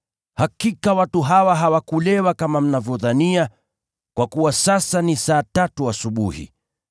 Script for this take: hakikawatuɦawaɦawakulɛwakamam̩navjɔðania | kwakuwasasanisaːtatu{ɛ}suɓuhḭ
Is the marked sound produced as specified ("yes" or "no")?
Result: no